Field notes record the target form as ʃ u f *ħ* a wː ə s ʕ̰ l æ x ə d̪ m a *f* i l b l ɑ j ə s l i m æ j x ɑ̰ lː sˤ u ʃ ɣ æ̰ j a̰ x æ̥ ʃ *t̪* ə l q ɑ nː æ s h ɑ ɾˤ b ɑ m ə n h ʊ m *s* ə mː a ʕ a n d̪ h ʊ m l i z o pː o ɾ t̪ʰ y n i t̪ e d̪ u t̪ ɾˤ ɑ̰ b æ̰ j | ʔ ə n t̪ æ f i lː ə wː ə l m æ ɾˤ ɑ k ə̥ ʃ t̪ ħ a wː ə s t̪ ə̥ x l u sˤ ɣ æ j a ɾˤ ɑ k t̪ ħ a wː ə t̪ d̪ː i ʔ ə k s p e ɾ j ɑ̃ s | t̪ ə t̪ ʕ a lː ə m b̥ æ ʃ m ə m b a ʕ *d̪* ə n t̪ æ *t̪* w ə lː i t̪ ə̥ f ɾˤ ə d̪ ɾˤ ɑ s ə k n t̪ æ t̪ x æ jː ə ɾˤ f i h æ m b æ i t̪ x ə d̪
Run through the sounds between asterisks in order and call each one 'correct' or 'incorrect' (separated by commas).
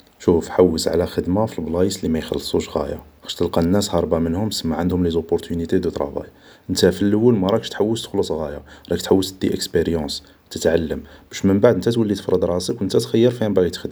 correct, correct, correct, correct, correct, correct